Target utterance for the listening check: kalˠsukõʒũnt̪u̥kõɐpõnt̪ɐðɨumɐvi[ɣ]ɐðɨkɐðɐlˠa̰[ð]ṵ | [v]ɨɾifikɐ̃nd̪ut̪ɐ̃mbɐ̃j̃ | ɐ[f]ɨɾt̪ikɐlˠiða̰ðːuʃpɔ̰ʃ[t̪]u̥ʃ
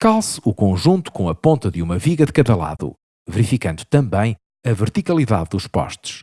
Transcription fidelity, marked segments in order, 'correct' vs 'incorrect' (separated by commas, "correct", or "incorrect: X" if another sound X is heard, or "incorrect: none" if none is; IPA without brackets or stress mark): correct, correct, correct, incorrect: v, correct